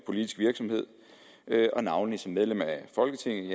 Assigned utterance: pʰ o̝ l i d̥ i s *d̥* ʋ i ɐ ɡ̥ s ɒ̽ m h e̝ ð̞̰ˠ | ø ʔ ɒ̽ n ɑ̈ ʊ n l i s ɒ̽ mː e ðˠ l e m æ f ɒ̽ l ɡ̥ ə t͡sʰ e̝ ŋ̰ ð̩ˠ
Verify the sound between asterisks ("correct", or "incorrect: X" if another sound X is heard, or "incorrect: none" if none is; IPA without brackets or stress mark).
incorrect: ɡ̥